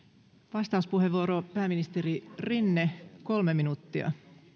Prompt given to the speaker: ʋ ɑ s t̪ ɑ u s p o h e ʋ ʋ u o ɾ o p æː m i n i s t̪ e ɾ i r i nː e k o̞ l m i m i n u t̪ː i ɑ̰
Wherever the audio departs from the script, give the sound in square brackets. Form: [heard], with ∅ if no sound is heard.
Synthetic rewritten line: ʋ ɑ s t̪ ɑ u s p [u] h e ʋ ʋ u o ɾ o p æː m i n i s t̪ e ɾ i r i nː e k o̞ l m [e] m i n u t̪ː i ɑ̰